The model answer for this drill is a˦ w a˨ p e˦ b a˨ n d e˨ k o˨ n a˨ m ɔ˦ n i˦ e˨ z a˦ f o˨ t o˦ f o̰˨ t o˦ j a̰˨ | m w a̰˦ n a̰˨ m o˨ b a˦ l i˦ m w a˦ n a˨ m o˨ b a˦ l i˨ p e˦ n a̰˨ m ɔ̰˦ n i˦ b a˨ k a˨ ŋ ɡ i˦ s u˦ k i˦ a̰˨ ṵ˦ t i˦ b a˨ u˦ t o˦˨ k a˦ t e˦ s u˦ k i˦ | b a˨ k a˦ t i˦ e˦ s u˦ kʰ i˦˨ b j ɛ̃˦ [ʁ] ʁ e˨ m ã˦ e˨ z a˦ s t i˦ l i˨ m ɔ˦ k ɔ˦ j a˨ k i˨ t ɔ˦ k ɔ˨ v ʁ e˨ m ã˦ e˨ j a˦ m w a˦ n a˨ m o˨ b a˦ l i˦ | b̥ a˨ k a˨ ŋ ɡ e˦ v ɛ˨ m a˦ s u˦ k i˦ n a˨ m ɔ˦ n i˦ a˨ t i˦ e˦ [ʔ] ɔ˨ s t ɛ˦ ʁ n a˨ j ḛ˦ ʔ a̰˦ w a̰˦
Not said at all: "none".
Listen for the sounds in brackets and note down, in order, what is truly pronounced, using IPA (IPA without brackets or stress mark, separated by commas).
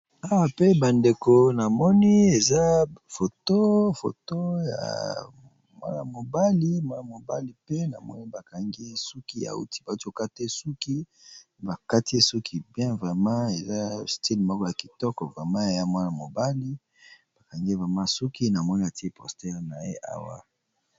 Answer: v, p